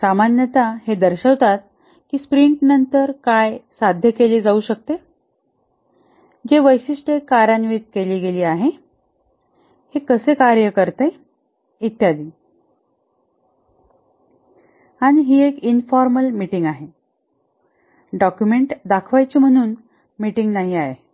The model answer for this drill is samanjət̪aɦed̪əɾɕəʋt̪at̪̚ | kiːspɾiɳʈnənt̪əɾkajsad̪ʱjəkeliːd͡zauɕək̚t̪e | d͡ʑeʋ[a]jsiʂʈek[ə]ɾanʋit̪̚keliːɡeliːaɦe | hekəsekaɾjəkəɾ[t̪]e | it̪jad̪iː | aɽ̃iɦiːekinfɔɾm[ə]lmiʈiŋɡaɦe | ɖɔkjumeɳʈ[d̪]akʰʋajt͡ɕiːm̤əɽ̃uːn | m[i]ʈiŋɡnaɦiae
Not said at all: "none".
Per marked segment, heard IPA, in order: ə, a, t̪, ə, d̪, i

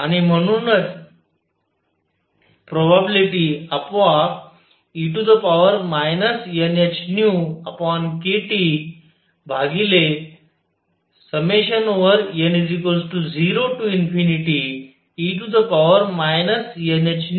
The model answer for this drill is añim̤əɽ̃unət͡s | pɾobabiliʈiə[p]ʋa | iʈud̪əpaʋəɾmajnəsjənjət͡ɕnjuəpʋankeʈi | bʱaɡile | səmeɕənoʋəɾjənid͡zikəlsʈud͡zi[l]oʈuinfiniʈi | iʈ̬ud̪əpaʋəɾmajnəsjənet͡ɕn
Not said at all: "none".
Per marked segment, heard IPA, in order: p, ɾ

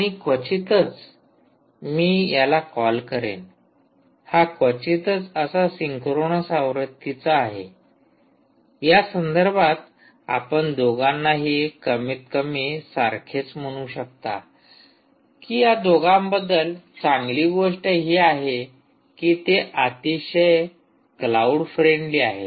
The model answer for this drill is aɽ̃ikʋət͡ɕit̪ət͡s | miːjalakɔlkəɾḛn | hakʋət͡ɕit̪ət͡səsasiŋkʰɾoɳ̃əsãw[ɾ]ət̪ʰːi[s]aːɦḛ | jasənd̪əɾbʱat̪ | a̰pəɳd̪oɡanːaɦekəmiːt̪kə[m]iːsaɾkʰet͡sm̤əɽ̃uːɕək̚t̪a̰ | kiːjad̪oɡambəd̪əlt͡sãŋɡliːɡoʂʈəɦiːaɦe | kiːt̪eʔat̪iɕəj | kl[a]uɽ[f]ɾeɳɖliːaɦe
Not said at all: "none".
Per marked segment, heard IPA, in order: ɾ, t͡s, m, a, f

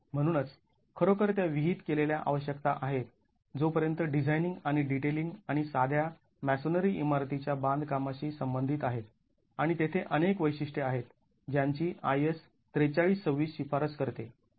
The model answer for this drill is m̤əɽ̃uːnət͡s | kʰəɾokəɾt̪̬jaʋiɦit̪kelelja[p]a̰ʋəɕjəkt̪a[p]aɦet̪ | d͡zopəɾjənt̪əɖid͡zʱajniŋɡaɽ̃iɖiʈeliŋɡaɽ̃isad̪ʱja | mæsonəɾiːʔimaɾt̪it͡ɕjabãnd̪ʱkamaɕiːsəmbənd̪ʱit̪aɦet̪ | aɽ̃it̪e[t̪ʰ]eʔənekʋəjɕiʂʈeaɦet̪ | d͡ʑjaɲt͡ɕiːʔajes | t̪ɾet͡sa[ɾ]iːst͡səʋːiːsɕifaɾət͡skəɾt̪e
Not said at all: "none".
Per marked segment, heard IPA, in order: ʔ, ʔ, t̪ʰ, ɭ

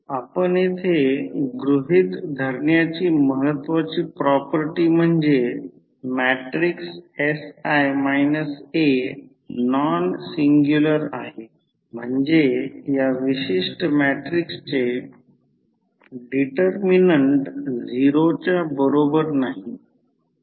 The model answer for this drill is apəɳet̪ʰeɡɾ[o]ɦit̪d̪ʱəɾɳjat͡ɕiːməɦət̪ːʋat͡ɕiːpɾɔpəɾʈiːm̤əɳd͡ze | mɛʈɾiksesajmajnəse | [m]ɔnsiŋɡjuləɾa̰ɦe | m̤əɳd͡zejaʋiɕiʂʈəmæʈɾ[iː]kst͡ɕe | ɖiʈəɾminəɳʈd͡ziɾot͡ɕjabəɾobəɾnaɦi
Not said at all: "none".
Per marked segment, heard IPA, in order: u, n, i

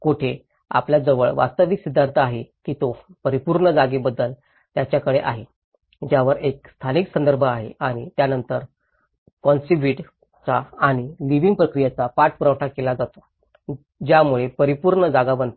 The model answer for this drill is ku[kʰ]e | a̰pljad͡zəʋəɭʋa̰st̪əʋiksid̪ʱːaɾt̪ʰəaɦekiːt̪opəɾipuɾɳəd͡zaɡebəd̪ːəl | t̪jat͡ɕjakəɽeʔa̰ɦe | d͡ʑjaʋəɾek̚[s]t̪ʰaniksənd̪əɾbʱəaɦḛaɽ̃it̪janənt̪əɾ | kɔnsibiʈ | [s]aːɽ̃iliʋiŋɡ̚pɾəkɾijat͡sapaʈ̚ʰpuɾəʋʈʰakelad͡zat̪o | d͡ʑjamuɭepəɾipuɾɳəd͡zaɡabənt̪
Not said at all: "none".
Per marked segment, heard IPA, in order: ʈʰ, s, t͡s

